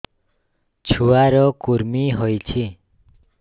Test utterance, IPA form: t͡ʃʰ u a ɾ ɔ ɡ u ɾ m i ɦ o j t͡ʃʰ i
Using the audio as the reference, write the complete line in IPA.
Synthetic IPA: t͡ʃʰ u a ɾ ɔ k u ɾ m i ɦ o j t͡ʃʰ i